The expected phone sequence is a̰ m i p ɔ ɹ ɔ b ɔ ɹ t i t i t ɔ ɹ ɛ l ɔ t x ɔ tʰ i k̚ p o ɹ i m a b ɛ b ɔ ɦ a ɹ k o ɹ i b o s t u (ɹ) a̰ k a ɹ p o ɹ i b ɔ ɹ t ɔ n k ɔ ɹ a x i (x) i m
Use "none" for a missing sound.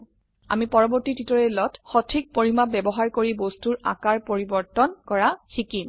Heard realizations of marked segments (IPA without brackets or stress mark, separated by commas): ɹ, k